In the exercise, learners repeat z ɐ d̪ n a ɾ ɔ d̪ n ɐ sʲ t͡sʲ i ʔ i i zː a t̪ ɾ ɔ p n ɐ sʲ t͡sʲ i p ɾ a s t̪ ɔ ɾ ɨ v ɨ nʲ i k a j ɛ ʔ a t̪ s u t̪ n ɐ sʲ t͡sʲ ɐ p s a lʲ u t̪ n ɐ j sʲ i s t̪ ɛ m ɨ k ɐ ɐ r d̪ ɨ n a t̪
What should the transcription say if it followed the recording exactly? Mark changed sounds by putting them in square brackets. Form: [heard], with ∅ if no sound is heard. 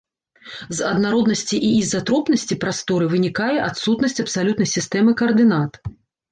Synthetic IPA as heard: z ɐ d̪ n a ɾ ɔ d̪ n ɐ sʲ t͡sʲ i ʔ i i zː a t̪ ɾ ɔ p n ɐ sʲ t͡sʲ i p ɾ a s t̪ ɔ ɾ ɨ v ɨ nʲ i k a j ɛ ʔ a t̪ s u t̪ n ɐ sʲ t͡sʲ ɐ p s a lʲ u t̪ n ɐ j sʲ i s t̪ ɛ m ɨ k ɐ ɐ r d̪ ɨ n a t̪